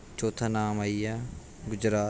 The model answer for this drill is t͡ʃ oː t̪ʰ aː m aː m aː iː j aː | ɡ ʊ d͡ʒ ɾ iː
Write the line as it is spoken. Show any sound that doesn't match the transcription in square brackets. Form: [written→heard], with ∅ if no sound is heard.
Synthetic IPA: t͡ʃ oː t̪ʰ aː [m→n] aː m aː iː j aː | ɡ ʊ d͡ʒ ɾ [iː→aː]